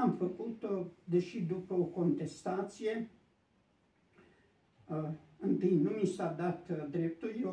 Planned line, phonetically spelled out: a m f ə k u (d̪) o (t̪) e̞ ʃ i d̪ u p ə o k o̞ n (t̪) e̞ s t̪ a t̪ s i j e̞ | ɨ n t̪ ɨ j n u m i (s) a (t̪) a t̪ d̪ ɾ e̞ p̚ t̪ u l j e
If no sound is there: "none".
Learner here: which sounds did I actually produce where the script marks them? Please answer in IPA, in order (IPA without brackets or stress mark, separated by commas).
t̪, d̪, t̪, s, d̪